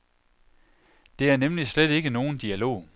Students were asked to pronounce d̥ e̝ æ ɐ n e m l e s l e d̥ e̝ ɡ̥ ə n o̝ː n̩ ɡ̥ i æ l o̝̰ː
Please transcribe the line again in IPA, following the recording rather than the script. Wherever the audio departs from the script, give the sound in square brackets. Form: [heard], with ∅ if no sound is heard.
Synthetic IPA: d̥ e̝ æ ɐ n e m l [i] s l e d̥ e̝ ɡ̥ ə n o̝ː n̩ [d̥] i æ l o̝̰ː